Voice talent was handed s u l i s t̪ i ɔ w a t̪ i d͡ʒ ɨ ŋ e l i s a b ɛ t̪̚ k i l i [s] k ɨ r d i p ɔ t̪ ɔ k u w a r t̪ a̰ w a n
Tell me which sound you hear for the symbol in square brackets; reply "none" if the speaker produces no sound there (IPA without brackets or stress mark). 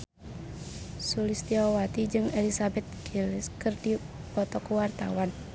s